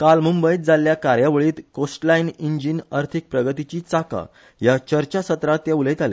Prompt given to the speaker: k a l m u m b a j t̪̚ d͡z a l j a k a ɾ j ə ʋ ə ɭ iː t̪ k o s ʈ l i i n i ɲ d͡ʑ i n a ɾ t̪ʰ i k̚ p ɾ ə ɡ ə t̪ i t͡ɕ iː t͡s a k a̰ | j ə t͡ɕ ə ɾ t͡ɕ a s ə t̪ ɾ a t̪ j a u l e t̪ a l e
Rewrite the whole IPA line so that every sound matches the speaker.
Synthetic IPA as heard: k a l m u m b ə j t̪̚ d͡z a l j a k a ɾ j a ʋ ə ɭ iː t̪ k o s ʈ l a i n i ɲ d͡ʑ i n a ɾ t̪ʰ i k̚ p ɾ ə ɡ ə t̪ i t͡ɕ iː t͡s a k a̰ | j a t͡ɕ ə ɾ t͡ɕ a s ə t̪ ɾ a t̪ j a u l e t̪ a l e